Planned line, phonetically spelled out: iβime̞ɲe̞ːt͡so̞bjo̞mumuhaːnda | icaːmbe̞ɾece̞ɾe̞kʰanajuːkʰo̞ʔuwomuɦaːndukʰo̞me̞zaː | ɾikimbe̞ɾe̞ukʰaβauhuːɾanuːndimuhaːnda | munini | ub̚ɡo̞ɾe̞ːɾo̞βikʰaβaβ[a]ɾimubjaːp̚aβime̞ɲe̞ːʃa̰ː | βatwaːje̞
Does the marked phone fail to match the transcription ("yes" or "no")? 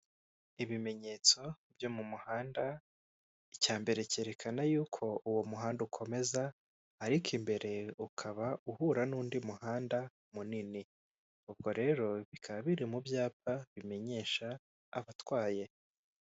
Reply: yes